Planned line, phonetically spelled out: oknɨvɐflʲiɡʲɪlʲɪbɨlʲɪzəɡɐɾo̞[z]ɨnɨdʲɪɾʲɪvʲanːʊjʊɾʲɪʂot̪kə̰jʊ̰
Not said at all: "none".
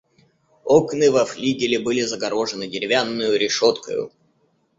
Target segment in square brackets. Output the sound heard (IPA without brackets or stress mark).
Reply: ʐ